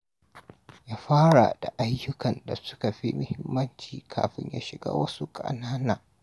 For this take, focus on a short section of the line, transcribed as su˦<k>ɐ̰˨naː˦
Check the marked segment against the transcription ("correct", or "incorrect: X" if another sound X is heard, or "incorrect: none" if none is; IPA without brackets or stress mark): incorrect: kʼ